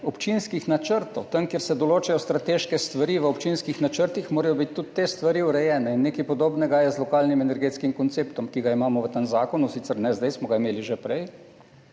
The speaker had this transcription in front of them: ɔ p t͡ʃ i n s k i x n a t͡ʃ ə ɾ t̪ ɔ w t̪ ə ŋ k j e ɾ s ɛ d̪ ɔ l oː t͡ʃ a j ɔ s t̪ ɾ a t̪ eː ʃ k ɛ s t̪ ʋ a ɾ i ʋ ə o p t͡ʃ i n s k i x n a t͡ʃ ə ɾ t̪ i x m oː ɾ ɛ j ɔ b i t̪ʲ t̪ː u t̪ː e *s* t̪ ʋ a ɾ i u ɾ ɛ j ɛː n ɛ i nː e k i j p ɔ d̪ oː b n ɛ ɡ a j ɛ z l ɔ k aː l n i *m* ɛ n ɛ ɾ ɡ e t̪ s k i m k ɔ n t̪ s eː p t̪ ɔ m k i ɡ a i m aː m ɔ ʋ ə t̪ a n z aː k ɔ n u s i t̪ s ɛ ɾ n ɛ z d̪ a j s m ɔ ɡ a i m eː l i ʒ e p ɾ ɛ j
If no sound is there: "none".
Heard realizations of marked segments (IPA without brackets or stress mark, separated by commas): s, m